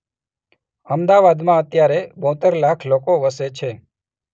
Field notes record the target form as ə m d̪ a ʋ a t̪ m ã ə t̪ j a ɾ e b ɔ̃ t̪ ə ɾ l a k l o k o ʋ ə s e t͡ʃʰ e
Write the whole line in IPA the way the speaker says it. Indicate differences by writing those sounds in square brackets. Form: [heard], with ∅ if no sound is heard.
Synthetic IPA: ə m d̪ a ʋ a [d̪] m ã ə t̪ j a ɾ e b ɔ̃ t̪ ə ɾ l a [kʰ] l o k o ʋ ə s e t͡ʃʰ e

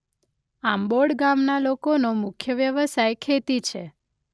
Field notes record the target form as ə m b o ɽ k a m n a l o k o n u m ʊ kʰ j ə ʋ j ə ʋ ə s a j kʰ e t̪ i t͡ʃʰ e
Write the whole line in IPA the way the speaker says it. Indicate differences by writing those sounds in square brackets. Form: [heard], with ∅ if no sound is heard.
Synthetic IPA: [a] m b o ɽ [ɡ] a m n a l o k o n [o] m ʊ kʰ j ə ʋ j ə ʋ ə s a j kʰ e t̪ i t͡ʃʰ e

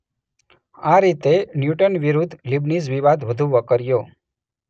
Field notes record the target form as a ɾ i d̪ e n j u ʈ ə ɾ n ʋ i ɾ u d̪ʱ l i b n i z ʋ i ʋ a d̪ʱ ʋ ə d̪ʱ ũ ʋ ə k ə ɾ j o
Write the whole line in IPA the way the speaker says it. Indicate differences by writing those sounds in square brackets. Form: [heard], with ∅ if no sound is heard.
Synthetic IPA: a ɾ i [t̪] e n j u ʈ ə [∅] n ʋ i ɾ u d̪ʱ l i b n i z ʋ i ʋ a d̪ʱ ʋ ə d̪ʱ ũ ʋ ə k ə ɾ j o

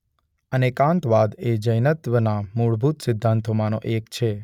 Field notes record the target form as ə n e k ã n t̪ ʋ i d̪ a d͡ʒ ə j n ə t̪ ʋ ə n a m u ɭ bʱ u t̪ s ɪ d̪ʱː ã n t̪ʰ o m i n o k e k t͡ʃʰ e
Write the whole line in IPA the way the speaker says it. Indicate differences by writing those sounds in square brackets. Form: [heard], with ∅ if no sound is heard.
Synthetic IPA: ə n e k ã n t̪ ʋ [a] d̪ [e] d͡ʒ ə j n ə t̪ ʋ ə n a m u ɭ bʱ u t̪ s ɪ d̪ʱː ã n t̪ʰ o m [a] n o [ʔ] e k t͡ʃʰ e

